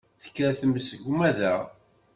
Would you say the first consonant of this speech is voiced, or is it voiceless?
voiceless